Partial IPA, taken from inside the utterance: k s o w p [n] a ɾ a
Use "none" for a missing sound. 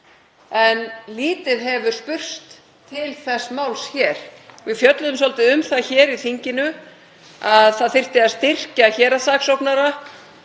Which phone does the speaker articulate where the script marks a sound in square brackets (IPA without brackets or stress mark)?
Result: n